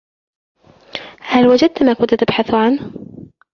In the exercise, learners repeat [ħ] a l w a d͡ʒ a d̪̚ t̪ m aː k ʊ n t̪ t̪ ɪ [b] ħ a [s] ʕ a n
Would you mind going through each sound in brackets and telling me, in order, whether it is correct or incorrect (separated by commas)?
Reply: incorrect, correct, incorrect